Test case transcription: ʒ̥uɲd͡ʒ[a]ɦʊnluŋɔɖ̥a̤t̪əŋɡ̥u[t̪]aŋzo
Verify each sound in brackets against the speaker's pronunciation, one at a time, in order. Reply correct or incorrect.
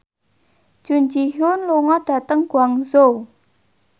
incorrect, incorrect

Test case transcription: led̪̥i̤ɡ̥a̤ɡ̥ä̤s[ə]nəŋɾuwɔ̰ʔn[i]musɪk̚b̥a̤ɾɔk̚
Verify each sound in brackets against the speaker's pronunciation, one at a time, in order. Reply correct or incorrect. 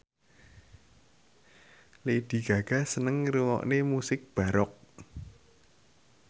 correct, incorrect

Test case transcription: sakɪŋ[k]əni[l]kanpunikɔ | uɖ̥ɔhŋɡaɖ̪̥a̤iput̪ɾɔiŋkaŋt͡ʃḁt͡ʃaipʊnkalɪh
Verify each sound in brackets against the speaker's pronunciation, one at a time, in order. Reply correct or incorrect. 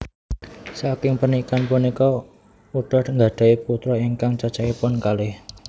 incorrect, incorrect

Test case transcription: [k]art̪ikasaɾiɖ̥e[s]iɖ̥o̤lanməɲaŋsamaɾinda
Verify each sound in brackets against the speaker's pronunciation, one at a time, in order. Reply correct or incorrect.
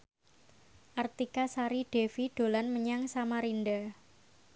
incorrect, incorrect

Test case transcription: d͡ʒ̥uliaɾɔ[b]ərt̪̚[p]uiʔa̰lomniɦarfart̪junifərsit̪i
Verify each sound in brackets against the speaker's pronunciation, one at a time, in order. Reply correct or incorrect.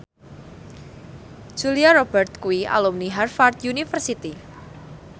correct, incorrect

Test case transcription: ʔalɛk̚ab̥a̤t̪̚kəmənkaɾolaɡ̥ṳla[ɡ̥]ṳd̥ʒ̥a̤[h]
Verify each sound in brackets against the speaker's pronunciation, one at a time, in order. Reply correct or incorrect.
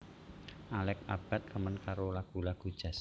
correct, incorrect

